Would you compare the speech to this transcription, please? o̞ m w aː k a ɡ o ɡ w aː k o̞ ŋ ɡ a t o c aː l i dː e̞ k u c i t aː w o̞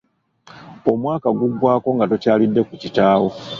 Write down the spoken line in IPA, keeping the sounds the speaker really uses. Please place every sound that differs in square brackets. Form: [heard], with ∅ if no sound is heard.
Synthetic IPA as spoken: o̞ m w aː k a ɡ [u] ɡ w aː k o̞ ŋ ɡ a t o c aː l i dː e̞ k u c i t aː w o̞

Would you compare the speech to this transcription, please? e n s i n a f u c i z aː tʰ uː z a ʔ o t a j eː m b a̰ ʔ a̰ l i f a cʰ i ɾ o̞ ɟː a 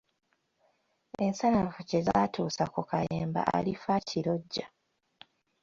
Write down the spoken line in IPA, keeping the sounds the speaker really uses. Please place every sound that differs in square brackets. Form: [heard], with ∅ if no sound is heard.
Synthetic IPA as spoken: e n s [a] n a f u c [e] z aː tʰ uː [s] a [k] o [k] a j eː m b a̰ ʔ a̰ l i f a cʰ i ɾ o̞ ɟː a

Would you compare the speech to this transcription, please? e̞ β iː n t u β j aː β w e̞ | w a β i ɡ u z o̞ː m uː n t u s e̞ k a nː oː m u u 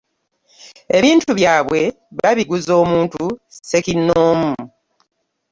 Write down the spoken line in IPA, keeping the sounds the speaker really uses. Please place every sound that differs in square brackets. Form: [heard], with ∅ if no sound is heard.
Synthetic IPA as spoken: e̞ β iː n t u β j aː β w e̞ | [β] a β i ɡ u z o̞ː m uː n t u s e̞ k [i] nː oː m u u

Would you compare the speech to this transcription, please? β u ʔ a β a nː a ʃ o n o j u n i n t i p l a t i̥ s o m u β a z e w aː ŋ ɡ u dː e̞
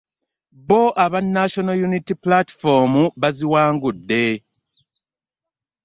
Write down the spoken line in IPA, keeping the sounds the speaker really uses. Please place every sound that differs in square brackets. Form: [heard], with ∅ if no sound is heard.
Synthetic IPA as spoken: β [o] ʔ a β a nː a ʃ o n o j u n i [∅] t i p l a t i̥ [f] o m u β a z [i] w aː ŋ ɡ u dː e̞

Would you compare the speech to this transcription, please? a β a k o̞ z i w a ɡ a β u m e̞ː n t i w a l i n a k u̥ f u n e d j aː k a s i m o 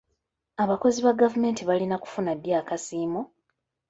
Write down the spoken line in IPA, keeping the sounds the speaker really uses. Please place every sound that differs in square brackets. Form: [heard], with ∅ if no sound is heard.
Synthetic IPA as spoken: a β a k o̞ z i [β] a ɡ a [v] u m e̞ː n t i [β] a l i n a k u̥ f u n [a] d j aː k a s [iː] m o

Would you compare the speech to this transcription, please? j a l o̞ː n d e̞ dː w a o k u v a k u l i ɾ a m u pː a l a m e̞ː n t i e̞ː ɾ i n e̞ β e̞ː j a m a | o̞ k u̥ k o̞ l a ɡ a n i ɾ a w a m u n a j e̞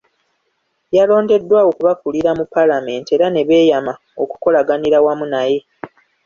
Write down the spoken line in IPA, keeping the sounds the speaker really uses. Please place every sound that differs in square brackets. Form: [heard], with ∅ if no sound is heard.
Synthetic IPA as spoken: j a l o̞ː n d e̞ dː w a o k u [β] a k u l i ɾ a m u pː a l a m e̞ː n t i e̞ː ɾ [a] n e̞ β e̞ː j a m a | o̞ k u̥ k o̞ l a ɡ a n i ɾ a w a m u n a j e̞

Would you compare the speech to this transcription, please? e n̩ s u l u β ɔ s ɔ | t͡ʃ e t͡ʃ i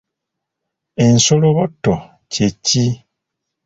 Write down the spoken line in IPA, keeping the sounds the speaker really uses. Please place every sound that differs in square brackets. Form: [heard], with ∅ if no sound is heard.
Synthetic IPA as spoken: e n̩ s [o] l [o] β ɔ [t] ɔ | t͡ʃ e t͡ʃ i

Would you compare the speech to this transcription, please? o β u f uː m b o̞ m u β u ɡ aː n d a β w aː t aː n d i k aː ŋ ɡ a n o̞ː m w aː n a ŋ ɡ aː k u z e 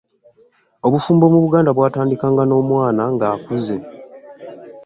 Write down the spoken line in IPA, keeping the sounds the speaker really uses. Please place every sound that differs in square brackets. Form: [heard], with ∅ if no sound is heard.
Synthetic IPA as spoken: o β u f uː m b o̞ m u β u ɡ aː n d a β w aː t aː n d i k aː ŋ ɡ a n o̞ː m w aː n a ŋ ɡ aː k u z e

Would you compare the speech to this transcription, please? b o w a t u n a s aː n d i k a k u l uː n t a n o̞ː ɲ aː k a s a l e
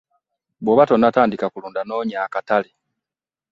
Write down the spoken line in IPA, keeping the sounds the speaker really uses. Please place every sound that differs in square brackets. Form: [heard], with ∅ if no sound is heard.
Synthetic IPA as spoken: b o [β] a t [o] n a [t] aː n d i k a k u l uː n [d] a n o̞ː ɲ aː k a [t] a l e

